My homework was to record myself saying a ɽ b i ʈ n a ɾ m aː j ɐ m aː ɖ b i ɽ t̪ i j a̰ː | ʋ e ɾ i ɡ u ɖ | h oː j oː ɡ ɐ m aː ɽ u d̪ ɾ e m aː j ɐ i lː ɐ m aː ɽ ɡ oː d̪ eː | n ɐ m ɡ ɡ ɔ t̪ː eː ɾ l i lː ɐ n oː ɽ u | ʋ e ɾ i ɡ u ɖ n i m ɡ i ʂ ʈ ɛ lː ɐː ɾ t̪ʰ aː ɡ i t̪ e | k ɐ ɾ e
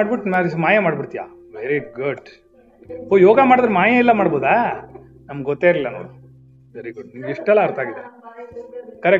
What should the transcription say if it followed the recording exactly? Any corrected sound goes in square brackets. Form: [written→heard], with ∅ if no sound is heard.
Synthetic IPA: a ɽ b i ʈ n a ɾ m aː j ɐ m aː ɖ b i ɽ t̪ i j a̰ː | ʋ e ɾ i ɡ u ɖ | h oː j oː ɡ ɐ m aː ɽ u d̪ ɾ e m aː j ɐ i lː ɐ m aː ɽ [ɡ→b] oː d̪ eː | n ɐ m ɡ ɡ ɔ t̪ː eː ɾ l i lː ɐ n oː ɽ u | ʋ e ɾ i ɡ u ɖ n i m ɡ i ʂ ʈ ɛ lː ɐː ɾ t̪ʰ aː ɡ i [t̪→d̪] e | k ɐ ɾ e